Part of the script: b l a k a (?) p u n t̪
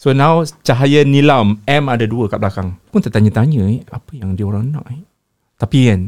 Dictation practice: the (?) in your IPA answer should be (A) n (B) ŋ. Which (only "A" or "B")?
B